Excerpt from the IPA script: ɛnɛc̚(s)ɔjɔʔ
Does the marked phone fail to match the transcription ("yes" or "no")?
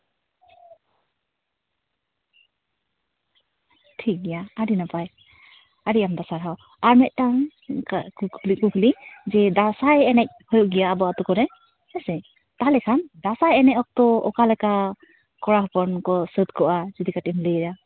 yes